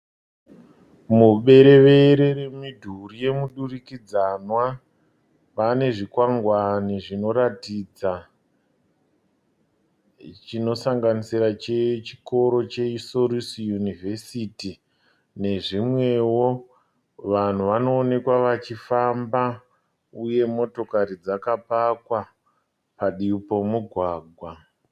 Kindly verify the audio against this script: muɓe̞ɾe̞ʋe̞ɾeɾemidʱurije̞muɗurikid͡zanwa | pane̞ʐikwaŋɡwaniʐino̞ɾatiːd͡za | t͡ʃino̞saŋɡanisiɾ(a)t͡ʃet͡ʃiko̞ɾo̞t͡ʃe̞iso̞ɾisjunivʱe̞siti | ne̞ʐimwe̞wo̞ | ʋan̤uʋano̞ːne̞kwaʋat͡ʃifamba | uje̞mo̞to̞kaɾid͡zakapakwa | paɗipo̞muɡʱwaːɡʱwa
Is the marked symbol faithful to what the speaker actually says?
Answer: yes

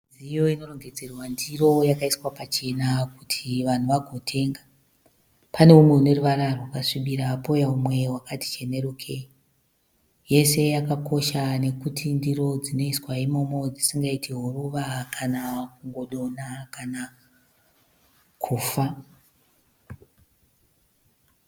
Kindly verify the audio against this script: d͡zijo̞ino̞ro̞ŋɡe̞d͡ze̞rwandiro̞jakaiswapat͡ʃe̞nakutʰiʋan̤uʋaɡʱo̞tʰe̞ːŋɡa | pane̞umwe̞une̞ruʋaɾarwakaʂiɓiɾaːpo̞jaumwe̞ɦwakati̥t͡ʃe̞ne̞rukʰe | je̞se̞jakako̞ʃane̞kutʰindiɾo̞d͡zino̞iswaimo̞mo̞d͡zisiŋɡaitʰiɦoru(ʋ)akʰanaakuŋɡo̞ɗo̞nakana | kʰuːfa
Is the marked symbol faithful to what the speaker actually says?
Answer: yes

